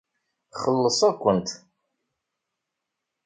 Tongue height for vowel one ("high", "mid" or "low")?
mid